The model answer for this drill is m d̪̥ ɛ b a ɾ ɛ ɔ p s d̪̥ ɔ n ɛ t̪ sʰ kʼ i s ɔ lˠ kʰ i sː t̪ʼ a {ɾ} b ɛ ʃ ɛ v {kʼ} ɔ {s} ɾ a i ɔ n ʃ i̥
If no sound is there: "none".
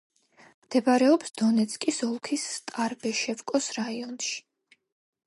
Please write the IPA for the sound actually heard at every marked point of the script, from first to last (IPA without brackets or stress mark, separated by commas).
ɾ, kʼ, s